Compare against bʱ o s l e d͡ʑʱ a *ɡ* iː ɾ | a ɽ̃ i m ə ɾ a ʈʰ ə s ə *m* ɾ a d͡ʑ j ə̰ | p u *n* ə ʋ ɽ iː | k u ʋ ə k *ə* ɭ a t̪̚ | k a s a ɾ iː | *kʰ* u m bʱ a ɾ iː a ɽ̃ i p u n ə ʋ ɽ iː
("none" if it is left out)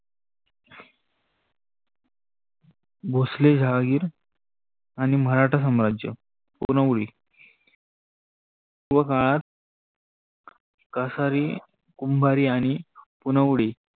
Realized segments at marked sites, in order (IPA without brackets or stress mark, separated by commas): ɡ, m, n, a, k